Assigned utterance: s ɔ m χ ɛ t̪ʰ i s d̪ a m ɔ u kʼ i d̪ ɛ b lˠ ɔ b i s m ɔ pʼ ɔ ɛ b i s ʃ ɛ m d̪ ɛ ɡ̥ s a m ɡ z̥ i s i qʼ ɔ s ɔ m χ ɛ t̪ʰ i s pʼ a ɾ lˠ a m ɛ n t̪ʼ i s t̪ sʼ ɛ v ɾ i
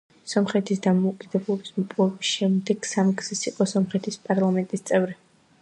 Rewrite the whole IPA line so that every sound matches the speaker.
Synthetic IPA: s ɔ m χ ɛ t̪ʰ i s d̪ a m ɔ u kʼ i d̪ ɛ b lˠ ɔ b i s m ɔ pʼ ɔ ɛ b i s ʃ ɛ m d̪ ɛ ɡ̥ s a m ɡ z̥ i s i qʼ ɔ s ɔ m χ ɛ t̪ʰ i s pʼ a ɾ lˠ a m ɛ n t̪ʼ i s t̪ sʼ ɛ v ɾ i